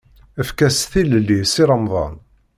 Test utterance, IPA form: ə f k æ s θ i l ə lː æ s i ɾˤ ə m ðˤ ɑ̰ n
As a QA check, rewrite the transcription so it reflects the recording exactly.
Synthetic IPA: ə f k æ s θ i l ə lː i s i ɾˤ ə m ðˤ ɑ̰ n